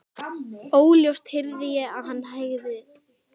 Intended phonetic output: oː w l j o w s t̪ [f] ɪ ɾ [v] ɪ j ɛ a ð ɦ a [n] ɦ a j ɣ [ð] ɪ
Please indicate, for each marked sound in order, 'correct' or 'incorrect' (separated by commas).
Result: incorrect, incorrect, incorrect, correct